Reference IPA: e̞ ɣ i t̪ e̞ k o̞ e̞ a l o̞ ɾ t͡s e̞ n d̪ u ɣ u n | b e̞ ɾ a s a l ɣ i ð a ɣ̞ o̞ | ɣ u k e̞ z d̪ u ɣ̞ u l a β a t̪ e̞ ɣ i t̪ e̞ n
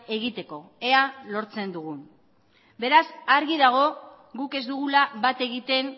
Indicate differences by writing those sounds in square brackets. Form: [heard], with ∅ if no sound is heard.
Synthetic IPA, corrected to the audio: e̞ ɣ i t̪ e̞ k o̞ e̞ a l o̞ ɾ t͡s e̞ n d̪ u ɣ u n | b e̞ ɾ a s a [ɾ] ɣ i ð a ɣ̞ o̞ | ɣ u k e̞ z d̪ u ɣ̞ u l a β a t̪ e̞ ɣ i t̪ e̞ n